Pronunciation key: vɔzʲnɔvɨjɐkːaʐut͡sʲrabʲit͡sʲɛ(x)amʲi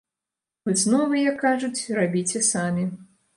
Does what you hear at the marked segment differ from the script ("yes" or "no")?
yes